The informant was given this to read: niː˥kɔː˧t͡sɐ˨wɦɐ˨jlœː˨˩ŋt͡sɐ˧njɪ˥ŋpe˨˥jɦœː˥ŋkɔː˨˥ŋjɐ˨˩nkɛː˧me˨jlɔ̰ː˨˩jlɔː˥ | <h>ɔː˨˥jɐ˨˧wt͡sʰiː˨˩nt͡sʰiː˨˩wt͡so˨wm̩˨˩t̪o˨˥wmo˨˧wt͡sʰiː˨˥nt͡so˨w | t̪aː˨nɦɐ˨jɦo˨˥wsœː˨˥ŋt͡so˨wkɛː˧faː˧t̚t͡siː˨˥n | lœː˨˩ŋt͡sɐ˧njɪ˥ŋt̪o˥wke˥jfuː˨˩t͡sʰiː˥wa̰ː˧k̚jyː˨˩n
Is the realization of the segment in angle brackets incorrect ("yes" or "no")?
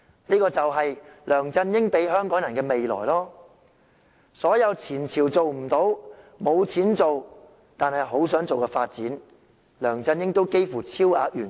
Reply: yes